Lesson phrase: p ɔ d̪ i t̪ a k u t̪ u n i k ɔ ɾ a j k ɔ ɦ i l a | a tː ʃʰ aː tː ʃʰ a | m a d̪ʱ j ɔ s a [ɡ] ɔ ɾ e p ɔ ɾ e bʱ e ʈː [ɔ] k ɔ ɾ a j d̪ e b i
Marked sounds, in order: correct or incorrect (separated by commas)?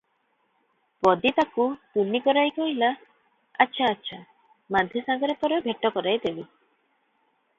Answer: correct, correct